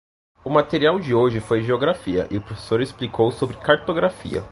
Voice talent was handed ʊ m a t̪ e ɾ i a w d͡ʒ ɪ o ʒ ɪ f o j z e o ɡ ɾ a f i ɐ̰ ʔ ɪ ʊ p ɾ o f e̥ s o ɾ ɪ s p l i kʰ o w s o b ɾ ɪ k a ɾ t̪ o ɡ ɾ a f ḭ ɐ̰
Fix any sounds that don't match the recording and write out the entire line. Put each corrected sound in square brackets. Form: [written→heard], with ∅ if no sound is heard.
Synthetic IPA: ʊ m a t̪ e ɾ i a w d͡ʒ ɪ o ʒ ɪ f o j [z→ʒ] e o ɡ ɾ a f i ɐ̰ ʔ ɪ ʊ p ɾ o f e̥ s o ɾ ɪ s p l i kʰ o w s o b ɾ ɪ k a ɾ t̪ o ɡ ɾ a f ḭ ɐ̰

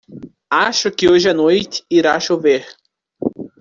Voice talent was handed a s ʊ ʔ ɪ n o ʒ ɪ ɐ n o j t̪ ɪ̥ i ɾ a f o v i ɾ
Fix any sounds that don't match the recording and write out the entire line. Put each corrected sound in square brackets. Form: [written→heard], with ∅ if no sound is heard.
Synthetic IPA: a [s→ʃ] ʊ [ʔ→k] ɪ [n→∅] o ʒ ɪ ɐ n o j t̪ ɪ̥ i ɾ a [f→ʃ] o v [i→e] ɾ

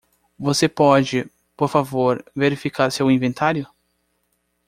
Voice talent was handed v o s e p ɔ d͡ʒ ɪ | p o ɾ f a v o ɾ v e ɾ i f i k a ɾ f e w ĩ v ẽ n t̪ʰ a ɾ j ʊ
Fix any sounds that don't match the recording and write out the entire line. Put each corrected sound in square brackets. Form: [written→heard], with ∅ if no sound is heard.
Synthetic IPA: v o s e p ɔ d͡ʒ ɪ | p o ɾ f a v o ɾ v e ɾ i f i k a ɾ [f→s] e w ĩ v ẽ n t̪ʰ a ɾ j ʊ

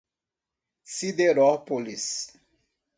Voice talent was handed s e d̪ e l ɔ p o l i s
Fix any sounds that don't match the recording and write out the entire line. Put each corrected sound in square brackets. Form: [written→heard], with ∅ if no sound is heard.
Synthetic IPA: s [e→i] d̪ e [l→ɾ] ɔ p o l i s

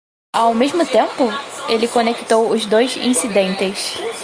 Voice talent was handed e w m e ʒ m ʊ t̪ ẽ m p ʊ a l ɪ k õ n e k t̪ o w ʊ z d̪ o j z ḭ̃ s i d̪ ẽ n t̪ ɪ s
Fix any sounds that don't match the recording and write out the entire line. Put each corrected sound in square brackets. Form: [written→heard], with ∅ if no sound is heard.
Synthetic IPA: [e→a] w m e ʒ m ʊ t̪ ẽ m p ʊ [a→e] l ɪ k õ n e k t̪ o w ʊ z d̪ o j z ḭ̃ s i d̪ ẽ n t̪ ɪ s

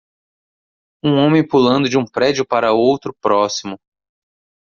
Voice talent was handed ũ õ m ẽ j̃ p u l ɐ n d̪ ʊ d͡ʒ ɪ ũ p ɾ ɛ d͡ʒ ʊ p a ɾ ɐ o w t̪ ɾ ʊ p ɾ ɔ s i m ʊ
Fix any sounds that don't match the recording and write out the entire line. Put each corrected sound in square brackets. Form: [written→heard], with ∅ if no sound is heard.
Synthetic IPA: ũ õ m ẽ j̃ p u l [ɐ→ɐ̃] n d̪ ʊ d͡ʒ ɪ ũ p ɾ ɛ d͡ʒ ʊ p a ɾ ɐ o w t̪ ɾ ʊ p ɾ ɔ s i m ʊ

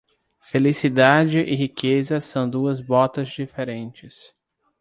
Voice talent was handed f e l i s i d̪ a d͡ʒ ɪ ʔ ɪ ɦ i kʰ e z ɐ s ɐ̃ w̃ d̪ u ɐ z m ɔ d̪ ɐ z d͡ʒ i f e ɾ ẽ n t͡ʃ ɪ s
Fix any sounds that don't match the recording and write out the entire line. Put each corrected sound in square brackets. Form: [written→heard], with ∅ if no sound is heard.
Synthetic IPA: f e l i s i d̪ a d͡ʒ ɪ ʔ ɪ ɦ i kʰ e z ɐ s ɐ̃ w̃ d̪ u ɐ z [m→b] ɔ [d̪→t̪] ɐ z d͡ʒ i f e ɾ ẽ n t͡ʃ ɪ s

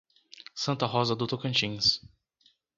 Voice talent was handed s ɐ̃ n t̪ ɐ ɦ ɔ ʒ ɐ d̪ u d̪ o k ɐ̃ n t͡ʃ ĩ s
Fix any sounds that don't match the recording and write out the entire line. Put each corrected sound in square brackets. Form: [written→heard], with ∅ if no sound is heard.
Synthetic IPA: s ɐ̃ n t̪ ɐ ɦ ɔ [ʒ→z] ɐ d̪ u [d̪→t̪] o k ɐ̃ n t͡ʃ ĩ s

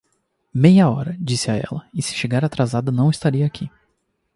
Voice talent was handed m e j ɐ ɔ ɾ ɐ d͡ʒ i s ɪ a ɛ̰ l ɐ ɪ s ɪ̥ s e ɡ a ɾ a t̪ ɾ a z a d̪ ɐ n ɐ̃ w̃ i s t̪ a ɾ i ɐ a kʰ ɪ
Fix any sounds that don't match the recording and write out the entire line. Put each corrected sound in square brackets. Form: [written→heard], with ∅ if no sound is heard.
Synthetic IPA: m e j ɐ ɔ ɾ ɐ d͡ʒ i s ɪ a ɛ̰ l ɐ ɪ s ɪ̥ [s→ʃ] e ɡ a ɾ a t̪ ɾ a z a d̪ ɐ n ɐ̃ w̃ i s t̪ a ɾ i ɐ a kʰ [ɪ→i]

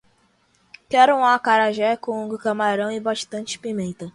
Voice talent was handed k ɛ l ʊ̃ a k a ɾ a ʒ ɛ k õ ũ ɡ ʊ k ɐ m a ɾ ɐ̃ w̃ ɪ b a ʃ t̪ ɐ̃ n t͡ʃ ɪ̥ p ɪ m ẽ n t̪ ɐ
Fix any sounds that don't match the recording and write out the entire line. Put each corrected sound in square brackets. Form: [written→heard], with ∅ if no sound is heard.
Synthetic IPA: k ɛ [l→ɾ] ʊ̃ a k a ɾ a ʒ ɛ k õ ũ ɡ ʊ k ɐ m a ɾ ɐ̃ w̃ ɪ b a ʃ t̪ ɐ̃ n t͡ʃ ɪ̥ p [ɪ→i] m ẽ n t̪ ɐ

